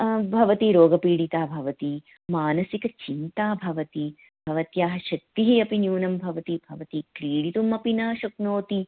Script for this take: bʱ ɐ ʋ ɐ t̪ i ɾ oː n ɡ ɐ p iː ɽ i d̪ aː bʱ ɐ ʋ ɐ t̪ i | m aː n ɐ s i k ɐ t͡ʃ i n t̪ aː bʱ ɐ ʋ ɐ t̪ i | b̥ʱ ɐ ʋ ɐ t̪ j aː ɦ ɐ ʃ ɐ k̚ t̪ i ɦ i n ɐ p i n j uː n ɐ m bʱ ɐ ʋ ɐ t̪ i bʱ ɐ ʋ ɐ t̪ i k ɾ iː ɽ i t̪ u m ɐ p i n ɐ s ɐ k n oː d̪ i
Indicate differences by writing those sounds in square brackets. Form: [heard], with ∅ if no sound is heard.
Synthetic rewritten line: bʱ ɐ ʋ ɐ t̪ i ɾ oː [∅] ɡ ɐ p iː ɽ i [t̪] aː bʱ ɐ ʋ ɐ t̪ i | m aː n ɐ s i k ɐ t͡ʃ i n t̪ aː bʱ ɐ ʋ ɐ t̪ i | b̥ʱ ɐ ʋ ɐ t̪ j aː ɦ ɐ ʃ ɐ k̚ t̪ i ɦ i [∅] ɐ p i n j uː n ɐ m bʱ ɐ ʋ ɐ t̪ i bʱ ɐ ʋ ɐ t̪ i k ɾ iː ɽ i t̪ u m ɐ p i n ɐ [ʃ] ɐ k n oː [t̪] i